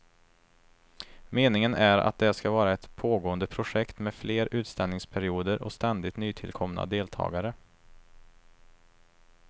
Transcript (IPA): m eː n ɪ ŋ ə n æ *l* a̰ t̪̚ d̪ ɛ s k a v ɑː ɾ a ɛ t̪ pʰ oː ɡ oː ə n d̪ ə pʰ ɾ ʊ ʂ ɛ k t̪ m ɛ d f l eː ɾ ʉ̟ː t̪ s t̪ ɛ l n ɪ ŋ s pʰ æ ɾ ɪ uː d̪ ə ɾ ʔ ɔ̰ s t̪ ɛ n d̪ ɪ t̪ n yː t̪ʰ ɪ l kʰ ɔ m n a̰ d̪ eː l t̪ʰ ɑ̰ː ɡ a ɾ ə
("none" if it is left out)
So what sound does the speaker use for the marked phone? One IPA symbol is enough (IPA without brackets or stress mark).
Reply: ɾ